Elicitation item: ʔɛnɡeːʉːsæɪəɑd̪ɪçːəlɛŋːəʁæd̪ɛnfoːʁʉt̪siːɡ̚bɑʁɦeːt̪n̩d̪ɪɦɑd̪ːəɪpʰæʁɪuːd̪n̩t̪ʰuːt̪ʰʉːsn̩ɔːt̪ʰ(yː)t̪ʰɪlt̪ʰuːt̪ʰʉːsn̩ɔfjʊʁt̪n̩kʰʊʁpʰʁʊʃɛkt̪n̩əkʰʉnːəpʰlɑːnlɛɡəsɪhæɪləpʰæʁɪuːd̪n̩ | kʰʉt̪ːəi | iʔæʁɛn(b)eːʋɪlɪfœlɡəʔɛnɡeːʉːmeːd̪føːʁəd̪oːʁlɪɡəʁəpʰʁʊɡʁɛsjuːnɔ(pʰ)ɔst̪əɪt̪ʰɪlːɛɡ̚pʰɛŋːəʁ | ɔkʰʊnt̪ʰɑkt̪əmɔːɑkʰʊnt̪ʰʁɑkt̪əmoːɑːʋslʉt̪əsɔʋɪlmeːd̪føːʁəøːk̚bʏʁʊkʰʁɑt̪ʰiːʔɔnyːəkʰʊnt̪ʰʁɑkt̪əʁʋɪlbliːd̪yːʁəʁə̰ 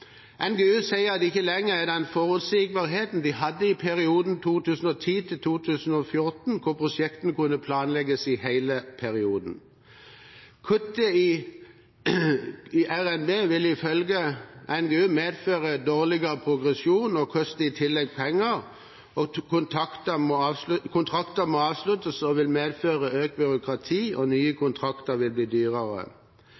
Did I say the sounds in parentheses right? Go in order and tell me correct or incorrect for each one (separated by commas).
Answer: incorrect, correct, incorrect